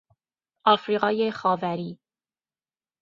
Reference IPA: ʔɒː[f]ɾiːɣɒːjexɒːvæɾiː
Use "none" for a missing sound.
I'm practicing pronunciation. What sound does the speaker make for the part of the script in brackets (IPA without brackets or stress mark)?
f